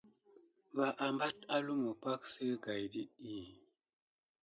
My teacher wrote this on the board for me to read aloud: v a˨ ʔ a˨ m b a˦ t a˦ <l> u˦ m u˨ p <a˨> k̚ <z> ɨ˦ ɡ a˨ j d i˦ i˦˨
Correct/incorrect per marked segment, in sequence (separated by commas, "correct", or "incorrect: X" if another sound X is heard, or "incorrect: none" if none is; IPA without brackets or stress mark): correct, incorrect: a˦, incorrect: s